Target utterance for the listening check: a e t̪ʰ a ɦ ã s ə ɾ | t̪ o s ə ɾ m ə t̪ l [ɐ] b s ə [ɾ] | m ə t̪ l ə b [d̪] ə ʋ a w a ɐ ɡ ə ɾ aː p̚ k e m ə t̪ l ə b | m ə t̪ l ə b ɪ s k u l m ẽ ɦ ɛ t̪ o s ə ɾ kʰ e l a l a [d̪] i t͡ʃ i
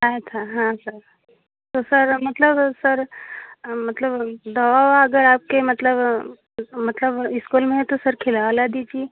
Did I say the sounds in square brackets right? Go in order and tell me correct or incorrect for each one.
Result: incorrect: ə, correct, correct, correct

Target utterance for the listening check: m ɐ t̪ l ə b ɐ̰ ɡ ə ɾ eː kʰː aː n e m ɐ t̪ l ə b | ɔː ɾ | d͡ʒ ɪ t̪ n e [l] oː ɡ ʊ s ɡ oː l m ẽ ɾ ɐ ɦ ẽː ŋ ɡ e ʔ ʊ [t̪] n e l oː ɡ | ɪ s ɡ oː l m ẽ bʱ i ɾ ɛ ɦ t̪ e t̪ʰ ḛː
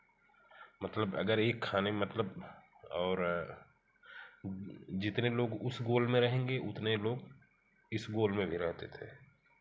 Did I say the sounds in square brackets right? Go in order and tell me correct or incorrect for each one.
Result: correct, correct

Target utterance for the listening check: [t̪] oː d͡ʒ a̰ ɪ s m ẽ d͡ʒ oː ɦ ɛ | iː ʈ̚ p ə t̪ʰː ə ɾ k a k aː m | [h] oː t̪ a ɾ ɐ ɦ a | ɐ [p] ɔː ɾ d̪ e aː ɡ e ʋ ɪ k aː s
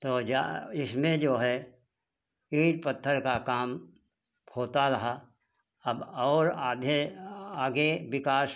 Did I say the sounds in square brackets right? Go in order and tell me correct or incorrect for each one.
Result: correct, correct, incorrect: b

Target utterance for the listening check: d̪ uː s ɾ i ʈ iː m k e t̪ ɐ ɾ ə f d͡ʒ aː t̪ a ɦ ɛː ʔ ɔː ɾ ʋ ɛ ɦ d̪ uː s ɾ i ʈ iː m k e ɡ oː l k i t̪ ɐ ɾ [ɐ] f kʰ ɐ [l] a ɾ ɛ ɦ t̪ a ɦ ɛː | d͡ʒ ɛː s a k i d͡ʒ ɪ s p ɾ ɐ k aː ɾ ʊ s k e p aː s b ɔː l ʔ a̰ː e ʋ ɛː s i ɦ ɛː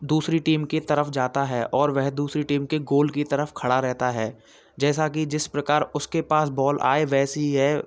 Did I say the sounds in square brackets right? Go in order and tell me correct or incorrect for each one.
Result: incorrect: ə, incorrect: ɽ

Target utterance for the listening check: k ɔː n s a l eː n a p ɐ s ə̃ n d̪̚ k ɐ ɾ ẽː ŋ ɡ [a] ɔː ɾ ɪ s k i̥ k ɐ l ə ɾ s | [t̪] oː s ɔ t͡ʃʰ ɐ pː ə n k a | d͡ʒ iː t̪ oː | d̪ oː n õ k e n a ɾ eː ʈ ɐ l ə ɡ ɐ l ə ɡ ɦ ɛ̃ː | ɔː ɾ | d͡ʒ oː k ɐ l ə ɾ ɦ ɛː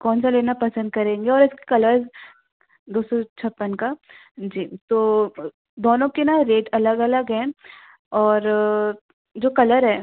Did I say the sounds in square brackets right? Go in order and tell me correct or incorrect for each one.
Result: incorrect: e, incorrect: d̪

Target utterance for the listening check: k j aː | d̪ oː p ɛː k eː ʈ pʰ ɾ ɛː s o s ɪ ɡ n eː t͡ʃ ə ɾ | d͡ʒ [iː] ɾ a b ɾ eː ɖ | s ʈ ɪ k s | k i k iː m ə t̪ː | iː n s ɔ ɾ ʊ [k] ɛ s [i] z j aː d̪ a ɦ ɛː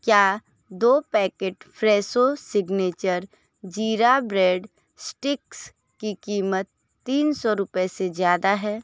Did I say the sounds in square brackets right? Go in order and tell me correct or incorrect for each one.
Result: correct, incorrect: p, incorrect: e

